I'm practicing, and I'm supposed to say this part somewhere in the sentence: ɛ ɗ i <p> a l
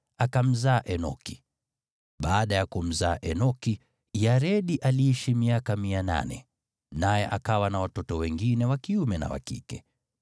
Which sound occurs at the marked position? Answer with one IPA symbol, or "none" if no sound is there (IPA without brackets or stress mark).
ʔ